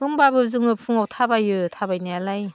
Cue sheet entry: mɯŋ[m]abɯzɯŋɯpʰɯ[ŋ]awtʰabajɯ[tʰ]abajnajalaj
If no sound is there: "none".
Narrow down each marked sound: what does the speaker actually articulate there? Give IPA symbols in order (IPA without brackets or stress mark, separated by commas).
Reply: b, ŋ, tʰ